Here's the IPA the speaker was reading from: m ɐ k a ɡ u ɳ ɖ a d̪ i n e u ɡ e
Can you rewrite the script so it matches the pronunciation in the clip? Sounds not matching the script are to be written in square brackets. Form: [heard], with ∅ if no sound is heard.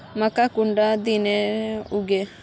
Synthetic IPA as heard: m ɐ k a [k] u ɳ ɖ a d̪ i n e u ɡ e